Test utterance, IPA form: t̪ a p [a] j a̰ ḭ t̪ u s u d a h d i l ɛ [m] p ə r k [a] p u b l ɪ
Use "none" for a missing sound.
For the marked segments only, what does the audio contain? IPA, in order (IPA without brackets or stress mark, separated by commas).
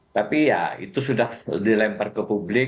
i, m, ə